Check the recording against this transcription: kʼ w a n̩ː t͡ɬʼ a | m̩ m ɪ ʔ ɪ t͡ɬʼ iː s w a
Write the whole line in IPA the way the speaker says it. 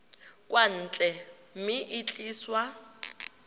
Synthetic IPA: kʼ w a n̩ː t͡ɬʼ ɛ | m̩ m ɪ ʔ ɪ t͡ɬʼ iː s w a

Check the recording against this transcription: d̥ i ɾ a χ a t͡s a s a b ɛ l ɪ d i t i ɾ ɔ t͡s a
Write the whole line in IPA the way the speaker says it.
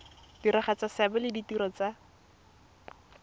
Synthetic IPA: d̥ i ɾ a χ a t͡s a s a b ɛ l ɪ d i t i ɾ ɔ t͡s a

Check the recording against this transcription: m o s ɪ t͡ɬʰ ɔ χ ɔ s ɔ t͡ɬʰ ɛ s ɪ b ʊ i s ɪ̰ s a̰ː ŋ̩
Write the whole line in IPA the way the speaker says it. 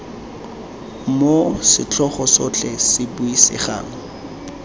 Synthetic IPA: m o s ɪ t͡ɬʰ ɔ χ ɔ s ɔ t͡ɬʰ ɛ s ɪ b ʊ i s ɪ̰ χ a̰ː ŋ̩

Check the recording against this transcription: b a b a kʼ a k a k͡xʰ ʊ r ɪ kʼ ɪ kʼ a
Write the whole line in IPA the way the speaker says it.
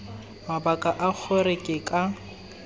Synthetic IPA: m a b a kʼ a ʔ a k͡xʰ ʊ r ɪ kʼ ɪ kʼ a

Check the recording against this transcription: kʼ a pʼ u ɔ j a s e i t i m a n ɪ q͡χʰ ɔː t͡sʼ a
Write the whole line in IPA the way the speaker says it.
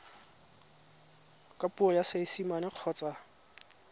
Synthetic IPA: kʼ a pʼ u ɔ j a s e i s i m a n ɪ q͡χʰ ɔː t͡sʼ a

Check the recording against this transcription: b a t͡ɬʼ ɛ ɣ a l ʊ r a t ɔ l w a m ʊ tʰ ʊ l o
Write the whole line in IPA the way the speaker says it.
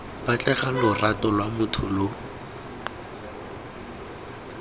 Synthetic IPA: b a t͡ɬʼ ɛ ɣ a l ʊ r a t ɔ l w a m ʊ tʰ ʊ l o

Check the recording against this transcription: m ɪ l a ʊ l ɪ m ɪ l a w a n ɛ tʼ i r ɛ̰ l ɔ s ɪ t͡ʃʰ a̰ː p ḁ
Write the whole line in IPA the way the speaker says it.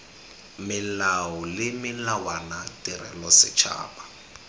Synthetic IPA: m ɪ l a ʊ l ɪ m ɪ l a w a n a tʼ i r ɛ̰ l ɔ s ɪ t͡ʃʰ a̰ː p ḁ

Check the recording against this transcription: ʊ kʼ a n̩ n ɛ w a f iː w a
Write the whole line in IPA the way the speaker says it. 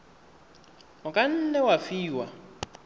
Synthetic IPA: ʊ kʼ a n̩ n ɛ w a f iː w a

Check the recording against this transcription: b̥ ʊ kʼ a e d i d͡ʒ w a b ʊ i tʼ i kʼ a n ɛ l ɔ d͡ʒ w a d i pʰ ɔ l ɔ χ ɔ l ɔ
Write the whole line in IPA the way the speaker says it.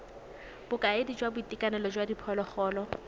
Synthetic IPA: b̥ ʊ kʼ a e d i d͡ʒ w a b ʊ i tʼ i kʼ a n ɛ l ɔ d͡ʒ w a d i pʰ ɔ l ɔ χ ɔː l ɔ

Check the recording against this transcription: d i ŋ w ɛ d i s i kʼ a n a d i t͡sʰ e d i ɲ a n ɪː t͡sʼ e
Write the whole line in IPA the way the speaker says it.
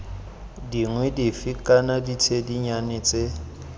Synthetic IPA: d i ŋ w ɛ d i f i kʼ a n a d i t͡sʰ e d i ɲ a n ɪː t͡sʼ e

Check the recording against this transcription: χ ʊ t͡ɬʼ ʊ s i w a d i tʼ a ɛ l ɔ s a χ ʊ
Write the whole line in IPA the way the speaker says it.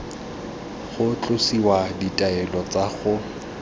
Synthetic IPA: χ ʊ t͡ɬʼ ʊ s i w a d i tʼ a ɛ l ɔ t͡s a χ ʊ

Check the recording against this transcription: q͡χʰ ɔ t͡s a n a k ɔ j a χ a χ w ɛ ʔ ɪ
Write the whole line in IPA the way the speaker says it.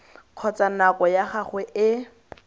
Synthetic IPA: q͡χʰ ɔ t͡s a n a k ɔ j a χ a χ w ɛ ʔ ɪ

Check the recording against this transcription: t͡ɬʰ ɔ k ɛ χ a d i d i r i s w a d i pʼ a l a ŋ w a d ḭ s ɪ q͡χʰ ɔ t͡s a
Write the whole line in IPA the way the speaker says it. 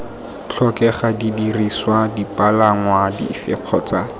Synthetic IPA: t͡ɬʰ ɔ k ɛ χ a d i d i r i s w a d i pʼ a l a ŋ w a d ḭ f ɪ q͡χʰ ɔ t͡s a

